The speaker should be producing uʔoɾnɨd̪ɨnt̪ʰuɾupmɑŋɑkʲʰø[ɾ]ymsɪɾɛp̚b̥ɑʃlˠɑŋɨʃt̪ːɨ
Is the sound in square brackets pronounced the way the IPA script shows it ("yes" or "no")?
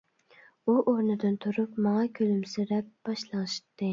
no